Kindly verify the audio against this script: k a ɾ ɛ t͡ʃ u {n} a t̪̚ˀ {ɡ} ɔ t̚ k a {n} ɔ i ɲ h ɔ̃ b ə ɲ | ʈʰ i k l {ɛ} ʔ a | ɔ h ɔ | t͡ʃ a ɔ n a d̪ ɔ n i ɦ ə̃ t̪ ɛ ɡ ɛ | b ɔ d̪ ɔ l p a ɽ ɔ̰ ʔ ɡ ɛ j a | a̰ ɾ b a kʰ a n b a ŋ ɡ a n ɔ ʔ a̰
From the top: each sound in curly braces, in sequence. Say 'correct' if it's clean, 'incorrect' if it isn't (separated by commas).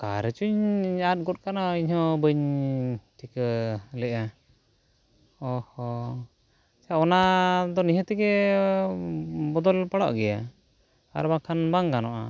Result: incorrect, correct, correct, correct